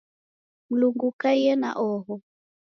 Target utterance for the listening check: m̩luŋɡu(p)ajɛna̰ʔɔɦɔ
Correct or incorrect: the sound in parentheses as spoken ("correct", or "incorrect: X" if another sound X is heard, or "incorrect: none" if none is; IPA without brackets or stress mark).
incorrect: k